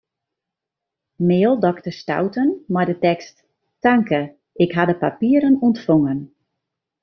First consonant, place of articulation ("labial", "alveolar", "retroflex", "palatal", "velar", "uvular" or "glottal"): labial